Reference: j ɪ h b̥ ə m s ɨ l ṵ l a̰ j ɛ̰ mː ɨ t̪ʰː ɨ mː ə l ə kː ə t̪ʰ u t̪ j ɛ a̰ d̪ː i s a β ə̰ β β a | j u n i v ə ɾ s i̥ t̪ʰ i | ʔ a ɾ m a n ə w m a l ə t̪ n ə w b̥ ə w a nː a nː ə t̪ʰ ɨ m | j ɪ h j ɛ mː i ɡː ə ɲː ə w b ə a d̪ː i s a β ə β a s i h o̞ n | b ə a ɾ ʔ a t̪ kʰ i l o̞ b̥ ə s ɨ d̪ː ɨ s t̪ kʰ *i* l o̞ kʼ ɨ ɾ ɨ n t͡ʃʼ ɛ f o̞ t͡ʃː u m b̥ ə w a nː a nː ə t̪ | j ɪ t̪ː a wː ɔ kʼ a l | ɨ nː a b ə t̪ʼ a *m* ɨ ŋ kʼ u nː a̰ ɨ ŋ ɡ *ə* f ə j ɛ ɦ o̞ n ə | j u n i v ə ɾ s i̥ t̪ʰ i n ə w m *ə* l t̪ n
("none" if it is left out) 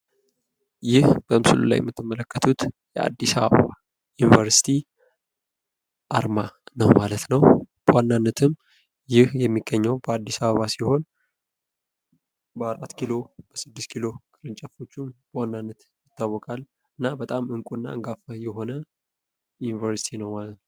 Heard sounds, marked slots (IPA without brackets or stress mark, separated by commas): i, m, a, a